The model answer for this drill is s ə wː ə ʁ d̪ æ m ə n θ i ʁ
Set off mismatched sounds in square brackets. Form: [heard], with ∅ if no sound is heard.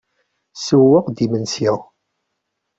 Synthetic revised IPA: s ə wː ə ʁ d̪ [i] m ə n [s] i ʁ